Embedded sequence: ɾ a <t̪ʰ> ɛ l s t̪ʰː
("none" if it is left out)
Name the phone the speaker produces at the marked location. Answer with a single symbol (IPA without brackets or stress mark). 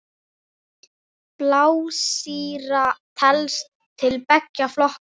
t̪ʰ